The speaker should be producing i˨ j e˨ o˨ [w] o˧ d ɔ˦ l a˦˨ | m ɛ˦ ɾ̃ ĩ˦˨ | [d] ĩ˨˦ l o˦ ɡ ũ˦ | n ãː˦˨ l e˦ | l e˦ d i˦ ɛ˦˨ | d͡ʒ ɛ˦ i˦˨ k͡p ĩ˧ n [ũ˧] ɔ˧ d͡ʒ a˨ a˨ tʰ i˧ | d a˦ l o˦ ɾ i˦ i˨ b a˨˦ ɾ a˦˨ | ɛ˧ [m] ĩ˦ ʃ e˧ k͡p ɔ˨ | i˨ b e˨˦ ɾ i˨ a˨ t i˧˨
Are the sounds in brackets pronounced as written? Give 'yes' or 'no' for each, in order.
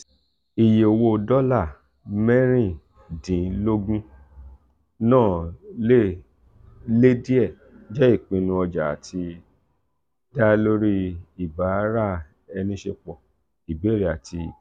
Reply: yes, yes, yes, no

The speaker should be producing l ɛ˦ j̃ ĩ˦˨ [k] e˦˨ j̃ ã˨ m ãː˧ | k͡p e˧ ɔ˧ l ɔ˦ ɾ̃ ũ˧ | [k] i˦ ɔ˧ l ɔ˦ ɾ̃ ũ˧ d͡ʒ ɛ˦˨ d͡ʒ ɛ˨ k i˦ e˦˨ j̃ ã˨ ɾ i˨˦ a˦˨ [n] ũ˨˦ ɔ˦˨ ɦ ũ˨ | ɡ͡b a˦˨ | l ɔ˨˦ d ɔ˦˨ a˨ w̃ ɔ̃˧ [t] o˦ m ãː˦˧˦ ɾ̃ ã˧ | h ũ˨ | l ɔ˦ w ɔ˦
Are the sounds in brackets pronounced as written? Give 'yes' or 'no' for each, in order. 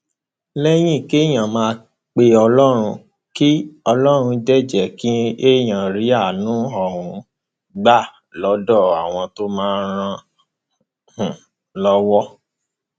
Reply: yes, yes, yes, yes

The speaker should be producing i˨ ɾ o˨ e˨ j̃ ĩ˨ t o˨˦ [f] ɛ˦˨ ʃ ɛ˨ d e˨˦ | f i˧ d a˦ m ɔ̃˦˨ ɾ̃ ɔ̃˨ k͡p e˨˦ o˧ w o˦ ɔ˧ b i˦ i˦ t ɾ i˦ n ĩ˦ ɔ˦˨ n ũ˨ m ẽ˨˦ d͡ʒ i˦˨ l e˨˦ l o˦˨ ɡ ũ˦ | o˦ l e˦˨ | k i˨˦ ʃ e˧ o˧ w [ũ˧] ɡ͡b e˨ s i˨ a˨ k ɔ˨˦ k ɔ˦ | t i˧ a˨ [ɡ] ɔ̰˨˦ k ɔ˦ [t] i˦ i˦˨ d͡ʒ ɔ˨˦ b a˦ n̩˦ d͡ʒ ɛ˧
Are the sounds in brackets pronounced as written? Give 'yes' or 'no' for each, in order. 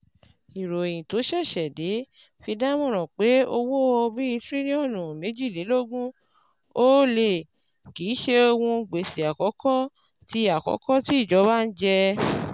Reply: no, yes, no, yes

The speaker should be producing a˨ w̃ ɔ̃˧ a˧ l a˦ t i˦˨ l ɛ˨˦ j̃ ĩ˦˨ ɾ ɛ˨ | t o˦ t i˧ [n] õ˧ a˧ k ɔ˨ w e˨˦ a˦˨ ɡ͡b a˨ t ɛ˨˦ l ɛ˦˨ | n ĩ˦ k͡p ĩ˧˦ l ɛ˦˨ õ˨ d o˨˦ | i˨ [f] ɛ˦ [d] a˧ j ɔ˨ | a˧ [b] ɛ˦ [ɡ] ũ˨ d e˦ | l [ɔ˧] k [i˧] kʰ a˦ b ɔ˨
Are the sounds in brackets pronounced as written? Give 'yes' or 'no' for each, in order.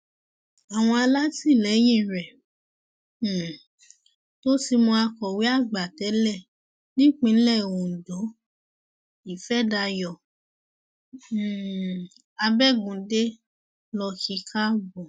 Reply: no, yes, yes, yes, yes, yes, yes

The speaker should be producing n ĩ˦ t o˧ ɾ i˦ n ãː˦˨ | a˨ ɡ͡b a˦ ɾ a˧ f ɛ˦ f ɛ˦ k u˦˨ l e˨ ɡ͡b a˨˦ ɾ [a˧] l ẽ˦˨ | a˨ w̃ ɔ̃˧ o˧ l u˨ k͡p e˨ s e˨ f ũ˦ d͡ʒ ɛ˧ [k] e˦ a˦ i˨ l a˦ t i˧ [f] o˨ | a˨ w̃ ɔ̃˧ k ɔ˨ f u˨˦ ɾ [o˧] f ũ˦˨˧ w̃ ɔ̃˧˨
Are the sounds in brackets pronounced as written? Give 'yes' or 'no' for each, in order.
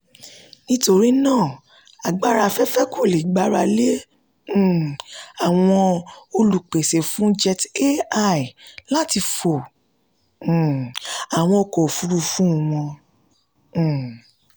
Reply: yes, no, yes, no

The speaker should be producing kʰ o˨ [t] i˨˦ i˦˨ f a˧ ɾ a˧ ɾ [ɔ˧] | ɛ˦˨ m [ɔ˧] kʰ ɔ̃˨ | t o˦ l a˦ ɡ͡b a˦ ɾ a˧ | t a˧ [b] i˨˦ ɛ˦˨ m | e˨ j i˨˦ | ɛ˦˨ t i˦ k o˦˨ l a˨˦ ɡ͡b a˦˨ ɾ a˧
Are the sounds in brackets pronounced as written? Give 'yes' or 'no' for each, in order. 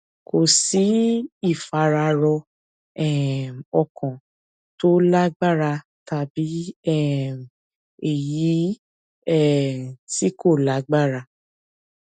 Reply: no, yes, yes, yes

